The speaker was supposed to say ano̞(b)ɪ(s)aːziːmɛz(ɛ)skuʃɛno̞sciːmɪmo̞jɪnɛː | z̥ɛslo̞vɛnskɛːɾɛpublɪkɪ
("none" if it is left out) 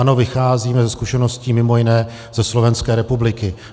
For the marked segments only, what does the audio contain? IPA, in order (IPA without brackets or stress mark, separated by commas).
v, x, ɛ